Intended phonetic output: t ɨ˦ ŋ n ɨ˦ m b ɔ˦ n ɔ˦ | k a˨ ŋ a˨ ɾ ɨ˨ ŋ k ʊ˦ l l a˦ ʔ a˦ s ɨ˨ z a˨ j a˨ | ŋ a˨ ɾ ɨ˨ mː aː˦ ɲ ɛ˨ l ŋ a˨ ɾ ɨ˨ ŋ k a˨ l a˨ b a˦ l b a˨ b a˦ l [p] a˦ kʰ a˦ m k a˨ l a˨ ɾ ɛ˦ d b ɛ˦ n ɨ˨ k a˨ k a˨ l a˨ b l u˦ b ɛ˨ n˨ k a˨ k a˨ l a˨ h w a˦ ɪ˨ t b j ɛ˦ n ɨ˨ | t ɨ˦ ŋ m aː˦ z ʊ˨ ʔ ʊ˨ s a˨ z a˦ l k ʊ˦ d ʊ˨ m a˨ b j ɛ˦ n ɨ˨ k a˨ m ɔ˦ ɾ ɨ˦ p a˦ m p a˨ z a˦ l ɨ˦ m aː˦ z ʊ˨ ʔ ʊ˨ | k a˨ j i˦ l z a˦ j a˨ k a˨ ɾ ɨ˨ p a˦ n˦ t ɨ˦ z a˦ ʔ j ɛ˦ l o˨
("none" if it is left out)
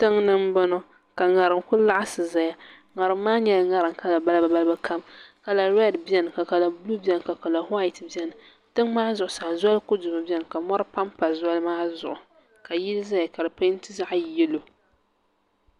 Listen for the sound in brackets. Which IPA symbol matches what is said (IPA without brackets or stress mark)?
b